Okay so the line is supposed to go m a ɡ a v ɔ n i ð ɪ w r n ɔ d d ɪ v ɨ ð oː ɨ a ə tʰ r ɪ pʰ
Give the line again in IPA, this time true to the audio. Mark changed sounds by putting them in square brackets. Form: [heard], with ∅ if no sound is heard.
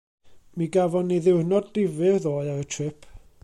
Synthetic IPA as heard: m [i] ɡ a v ɔ n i ð ɪ w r n ɔ d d ɪ v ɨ ð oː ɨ a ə tʰ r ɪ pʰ